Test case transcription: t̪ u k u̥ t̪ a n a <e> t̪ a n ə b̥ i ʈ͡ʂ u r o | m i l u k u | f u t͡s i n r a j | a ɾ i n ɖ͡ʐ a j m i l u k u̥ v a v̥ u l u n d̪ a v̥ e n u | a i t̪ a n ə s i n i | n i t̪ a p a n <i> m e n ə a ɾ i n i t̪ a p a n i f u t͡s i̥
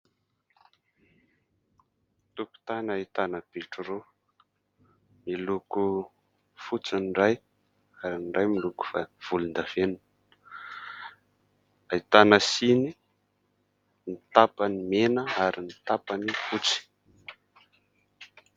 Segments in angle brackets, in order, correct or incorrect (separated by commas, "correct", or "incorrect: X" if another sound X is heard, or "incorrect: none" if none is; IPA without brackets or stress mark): incorrect: i, correct